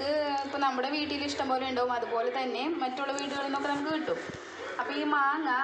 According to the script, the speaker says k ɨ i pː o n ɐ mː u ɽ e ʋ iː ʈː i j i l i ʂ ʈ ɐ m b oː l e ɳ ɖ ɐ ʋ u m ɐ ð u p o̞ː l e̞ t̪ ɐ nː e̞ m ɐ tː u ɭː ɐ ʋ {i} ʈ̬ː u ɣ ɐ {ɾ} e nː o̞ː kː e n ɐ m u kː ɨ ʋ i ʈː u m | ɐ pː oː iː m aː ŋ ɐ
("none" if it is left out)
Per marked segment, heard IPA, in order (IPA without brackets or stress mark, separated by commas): iː, ɭ